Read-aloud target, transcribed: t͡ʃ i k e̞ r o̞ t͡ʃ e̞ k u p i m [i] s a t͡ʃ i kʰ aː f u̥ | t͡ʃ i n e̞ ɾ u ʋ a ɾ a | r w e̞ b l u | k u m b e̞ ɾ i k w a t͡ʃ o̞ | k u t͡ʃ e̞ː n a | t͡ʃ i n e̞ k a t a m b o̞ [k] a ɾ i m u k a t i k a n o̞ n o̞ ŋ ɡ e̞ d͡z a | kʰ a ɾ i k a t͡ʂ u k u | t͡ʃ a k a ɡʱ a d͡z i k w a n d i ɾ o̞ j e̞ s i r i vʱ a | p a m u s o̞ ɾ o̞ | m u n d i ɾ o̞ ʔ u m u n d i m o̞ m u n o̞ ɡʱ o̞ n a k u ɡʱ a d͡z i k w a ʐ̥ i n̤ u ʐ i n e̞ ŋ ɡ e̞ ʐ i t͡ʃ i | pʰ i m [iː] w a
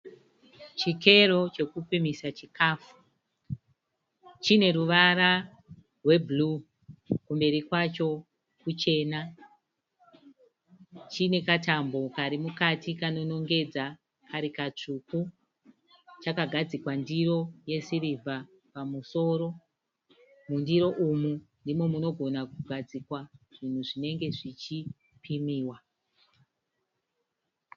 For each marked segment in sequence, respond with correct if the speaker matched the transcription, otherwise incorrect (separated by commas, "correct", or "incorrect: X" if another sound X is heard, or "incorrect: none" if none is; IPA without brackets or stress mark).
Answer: correct, correct, correct